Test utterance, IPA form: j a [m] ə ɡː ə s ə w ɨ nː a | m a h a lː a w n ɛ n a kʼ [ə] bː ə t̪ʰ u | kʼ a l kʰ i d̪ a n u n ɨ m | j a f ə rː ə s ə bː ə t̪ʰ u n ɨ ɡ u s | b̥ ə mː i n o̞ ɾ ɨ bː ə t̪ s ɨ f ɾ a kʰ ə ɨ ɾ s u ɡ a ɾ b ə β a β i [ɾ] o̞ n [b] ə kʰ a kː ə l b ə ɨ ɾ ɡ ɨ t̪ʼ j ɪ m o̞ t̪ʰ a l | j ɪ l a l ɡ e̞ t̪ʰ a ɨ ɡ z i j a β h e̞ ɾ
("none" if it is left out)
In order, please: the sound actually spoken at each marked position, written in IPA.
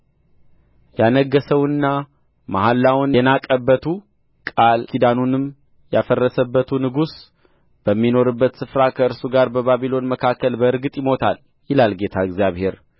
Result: n, ə, l, m

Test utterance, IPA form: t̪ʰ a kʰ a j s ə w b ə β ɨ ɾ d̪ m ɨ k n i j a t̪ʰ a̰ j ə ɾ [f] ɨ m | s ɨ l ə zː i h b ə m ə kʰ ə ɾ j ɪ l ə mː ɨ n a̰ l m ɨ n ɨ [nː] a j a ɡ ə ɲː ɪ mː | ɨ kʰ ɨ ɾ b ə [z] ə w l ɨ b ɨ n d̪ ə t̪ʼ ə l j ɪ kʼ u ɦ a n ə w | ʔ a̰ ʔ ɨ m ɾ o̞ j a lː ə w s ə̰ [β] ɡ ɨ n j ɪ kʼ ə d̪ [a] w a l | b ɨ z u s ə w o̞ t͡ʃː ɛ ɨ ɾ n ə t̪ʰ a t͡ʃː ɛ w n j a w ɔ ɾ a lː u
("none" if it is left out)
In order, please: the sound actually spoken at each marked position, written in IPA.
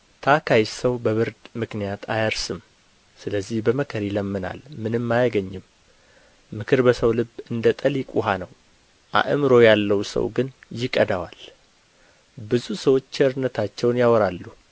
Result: s, mː, s, w, a

